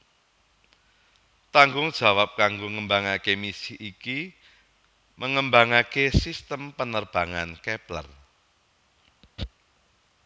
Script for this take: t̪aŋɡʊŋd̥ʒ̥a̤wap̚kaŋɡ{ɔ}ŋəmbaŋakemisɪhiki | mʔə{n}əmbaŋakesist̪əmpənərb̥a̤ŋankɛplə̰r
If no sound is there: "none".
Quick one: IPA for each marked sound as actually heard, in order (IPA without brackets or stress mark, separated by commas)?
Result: o, ŋ